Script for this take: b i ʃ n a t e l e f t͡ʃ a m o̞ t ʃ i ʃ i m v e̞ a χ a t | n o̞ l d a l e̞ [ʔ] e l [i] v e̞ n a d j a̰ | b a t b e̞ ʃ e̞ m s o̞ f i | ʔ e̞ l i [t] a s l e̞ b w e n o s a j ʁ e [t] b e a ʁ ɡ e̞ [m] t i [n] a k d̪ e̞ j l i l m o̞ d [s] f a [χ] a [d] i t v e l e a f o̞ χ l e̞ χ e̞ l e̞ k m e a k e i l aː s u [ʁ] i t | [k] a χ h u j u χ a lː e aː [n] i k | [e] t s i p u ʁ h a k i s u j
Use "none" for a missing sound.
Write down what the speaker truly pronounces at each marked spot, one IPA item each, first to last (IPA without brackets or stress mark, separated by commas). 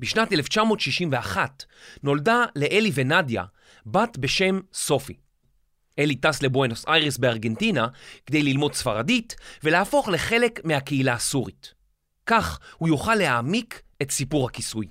ʔ, i, t, s, n, n, s, ʁ, d, ʁ, k, m, e